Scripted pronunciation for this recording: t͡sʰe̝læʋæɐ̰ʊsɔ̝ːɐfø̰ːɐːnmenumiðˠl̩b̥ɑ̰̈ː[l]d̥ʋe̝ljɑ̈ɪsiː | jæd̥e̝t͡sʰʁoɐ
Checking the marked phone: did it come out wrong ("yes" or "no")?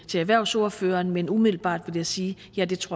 yes